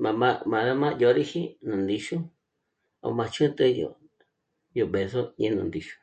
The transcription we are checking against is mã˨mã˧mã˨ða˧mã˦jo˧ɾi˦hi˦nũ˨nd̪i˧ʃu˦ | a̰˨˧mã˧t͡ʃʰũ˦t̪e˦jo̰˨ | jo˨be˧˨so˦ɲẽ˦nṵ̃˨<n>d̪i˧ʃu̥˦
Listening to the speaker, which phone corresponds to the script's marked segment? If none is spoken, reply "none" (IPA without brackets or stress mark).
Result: n